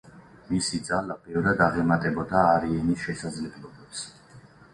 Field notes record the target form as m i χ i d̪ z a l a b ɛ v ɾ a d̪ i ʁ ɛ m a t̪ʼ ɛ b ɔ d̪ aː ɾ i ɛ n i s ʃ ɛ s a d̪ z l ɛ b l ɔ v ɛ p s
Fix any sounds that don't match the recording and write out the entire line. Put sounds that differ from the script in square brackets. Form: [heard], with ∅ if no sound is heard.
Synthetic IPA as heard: m i [s] i d̪ z a l a b ɛ v ɾ a d̪ [a] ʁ ɛ m a t̪ʼ ɛ b ɔ d̪ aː ɾ i ɛ n i s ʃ ɛ s a d̪ z l ɛ b l ɔ [b] ɛ p s